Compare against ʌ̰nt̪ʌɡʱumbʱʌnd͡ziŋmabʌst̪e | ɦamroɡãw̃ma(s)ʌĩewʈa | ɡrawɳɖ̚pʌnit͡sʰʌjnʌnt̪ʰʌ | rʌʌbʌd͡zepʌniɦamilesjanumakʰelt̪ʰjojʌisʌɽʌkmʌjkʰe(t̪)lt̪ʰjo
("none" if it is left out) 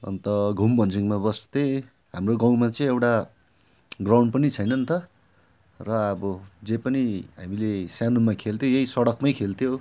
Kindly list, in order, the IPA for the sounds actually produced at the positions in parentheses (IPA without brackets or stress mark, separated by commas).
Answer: t͡s, none